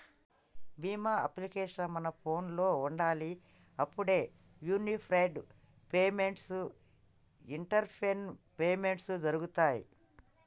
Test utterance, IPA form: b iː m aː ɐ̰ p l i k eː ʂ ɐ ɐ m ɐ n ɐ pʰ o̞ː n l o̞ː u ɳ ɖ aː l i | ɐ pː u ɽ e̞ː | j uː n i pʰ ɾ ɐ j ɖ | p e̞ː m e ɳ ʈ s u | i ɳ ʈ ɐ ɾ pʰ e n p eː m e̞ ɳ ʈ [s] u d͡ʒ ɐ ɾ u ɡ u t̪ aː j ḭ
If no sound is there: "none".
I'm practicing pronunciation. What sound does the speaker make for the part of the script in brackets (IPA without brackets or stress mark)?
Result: s